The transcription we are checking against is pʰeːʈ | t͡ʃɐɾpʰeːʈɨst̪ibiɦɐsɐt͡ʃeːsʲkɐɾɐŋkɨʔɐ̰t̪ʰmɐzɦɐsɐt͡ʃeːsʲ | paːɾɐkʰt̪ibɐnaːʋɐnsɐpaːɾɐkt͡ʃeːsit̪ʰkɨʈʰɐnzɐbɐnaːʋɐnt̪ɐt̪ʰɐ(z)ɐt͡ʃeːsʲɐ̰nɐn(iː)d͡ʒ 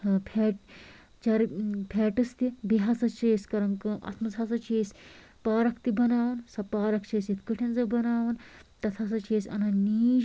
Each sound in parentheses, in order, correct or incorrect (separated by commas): incorrect, correct